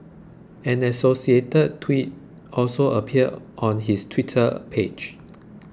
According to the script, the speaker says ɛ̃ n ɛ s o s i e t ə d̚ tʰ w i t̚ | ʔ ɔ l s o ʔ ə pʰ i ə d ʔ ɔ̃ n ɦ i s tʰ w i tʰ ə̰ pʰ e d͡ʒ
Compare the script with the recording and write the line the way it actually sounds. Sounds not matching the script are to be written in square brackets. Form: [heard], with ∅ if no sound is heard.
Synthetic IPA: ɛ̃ n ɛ s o s i e t ə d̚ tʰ w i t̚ | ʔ ɔ l s o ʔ ə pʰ i ə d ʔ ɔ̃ n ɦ i s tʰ w i tʰ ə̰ pʰ e d͡ʒ